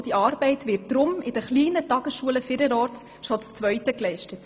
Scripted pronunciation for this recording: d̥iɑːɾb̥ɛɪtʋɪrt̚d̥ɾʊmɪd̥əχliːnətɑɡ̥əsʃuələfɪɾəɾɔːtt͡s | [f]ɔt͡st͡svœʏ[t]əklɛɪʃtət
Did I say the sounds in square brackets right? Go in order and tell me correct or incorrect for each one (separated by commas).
incorrect, correct